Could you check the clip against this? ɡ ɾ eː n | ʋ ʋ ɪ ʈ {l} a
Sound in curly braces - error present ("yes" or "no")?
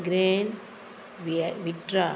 yes